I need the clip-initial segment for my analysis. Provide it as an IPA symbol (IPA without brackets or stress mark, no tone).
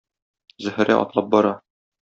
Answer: z